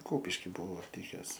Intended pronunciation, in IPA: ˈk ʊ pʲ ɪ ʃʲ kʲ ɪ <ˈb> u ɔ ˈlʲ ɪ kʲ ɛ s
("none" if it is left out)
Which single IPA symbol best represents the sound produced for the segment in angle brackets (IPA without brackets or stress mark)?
b